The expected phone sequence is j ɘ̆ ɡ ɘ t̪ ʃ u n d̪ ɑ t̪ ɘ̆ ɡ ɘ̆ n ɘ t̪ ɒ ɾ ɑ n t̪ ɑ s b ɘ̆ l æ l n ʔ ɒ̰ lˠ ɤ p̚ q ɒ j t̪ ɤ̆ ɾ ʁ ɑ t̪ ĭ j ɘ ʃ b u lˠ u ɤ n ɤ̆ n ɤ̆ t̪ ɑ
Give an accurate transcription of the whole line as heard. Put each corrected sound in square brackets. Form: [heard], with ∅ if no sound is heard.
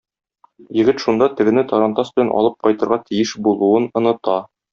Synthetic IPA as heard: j ɘ̆ ɡ ɘ t̪ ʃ u n d̪ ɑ t̪ ɘ̆ ɡ ɘ̆ n ɘ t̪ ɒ ɾ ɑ n t̪ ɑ s b ɘ̆ l æ [∅] n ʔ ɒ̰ lˠ ɤ p̚ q ɒ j t̪ ɤ̆ ɾ ʁ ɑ t̪ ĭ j ɘ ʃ b u lˠ u ɤ n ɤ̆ n ɤ̆ t̪ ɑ